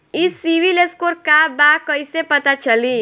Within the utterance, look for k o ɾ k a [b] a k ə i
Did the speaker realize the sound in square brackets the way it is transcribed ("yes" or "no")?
yes